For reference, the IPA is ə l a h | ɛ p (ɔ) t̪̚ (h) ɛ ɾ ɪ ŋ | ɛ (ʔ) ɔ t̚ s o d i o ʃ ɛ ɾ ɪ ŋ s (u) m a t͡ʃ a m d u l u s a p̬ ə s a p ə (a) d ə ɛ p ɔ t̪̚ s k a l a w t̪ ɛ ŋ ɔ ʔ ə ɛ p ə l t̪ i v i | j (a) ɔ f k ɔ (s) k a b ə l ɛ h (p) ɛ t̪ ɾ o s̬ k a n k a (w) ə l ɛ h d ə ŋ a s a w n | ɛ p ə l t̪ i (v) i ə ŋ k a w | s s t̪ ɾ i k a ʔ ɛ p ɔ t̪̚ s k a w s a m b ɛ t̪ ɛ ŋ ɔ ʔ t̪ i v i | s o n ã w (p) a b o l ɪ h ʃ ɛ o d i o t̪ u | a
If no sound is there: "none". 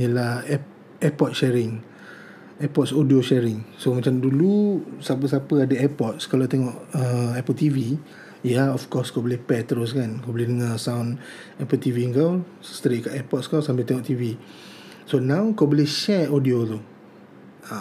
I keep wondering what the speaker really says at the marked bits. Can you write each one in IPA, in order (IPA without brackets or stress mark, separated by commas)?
ɔ, ʃ, p, o, a, a, s, p, b, v, k